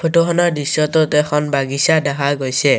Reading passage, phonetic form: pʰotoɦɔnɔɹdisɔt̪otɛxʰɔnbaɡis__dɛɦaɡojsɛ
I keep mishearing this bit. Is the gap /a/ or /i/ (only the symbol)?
a